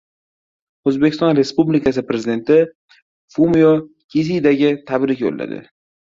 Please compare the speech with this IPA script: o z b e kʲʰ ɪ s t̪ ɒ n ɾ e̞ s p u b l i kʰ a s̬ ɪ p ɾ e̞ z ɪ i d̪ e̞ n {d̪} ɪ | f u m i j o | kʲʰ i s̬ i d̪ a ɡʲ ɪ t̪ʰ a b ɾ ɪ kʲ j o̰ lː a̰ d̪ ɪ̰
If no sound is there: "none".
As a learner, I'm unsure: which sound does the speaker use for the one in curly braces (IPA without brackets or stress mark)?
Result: t̪